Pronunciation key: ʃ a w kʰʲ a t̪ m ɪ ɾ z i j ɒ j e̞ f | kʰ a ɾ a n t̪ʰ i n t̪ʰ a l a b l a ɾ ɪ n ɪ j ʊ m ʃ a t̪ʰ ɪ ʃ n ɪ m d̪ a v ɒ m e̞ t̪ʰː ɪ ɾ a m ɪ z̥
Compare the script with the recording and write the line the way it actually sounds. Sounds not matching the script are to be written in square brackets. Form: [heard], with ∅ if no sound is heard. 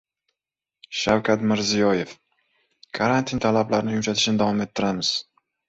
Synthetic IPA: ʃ a w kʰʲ a t̪ m ɪ ɾ z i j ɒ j e̞ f | kʰ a ɾ a n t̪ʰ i n t̪ʰ a l a b l a ɾ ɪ n ɪ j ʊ m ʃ a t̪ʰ ɪ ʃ n ɪ [∅] d̪ a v ɒ m e̞ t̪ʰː ɪ ɾ a m ɪ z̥